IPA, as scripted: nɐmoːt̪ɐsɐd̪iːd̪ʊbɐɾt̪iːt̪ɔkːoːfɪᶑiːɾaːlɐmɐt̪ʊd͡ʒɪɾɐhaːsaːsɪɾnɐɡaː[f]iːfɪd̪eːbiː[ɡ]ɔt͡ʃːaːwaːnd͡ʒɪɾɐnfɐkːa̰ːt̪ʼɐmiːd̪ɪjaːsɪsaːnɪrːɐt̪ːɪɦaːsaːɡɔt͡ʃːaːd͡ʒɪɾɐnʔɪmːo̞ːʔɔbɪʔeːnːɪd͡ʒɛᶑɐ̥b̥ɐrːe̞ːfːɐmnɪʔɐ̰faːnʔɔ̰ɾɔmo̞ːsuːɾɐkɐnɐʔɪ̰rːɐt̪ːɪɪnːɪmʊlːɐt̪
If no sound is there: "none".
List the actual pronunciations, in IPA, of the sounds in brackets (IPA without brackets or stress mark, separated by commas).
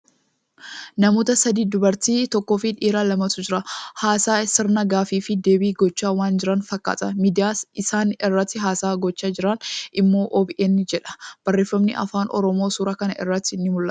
f, ɡ